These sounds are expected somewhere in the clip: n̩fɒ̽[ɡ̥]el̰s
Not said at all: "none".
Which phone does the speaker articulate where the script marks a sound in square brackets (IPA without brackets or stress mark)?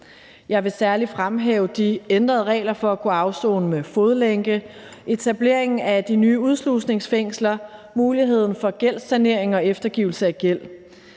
ɡ̥